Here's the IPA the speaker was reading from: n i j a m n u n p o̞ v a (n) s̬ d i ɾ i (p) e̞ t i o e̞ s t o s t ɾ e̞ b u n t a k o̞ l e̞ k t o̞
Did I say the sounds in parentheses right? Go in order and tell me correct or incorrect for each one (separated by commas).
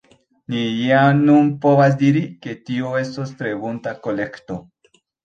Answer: incorrect, incorrect